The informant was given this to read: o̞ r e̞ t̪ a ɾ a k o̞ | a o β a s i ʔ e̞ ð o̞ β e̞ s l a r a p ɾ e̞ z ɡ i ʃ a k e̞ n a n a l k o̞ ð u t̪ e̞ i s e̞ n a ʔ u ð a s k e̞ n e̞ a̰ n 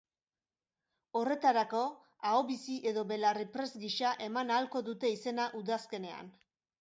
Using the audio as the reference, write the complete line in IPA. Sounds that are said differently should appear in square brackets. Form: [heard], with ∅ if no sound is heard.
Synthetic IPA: o̞ r e̞ t̪ a ɾ a k o̞ | a o β [i] s i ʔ e̞ ð o̞ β e̞ [∅] l a r [i] p ɾ e̞ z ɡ i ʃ a [ʔ] e̞ [m] a n a l k o̞ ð u t̪ e̞ i s e̞ n a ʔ u ð a s k e̞ n e̞ a̰ n